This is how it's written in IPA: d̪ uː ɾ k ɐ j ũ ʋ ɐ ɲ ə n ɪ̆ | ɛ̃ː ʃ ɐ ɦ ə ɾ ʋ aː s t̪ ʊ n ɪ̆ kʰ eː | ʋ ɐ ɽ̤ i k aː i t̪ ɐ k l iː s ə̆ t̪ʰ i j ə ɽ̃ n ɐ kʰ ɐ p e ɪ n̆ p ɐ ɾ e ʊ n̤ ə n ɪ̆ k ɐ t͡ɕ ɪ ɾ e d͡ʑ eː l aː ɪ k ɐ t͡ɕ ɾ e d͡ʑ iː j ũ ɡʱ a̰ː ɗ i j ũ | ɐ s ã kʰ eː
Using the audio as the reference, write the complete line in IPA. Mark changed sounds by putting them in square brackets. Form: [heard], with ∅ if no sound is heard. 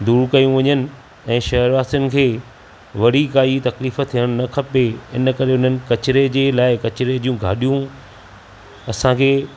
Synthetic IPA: d̪ uː ɾ k ɐ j ũ ʋ ɐ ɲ ə n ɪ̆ | ɛ̃ː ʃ ɐ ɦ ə ɾ ʋ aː s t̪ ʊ n ɪ̆ kʰ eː | ʋ ɐ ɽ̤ i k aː i t̪ ɐ k l iː [f] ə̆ t̪ʰ i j ə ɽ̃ n ɐ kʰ ɐ p e ɪ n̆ [k] ɐ ɾ e ʊ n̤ ə n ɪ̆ k ɐ t͡ɕ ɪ ɾ e d͡ʑ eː l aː ɪ k ɐ t͡ɕ ɾ e d͡ʑ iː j ũ ɡʱ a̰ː ɗ i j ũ | ɐ s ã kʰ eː